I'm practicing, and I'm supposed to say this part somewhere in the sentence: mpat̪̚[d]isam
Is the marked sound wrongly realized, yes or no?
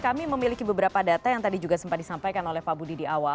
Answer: no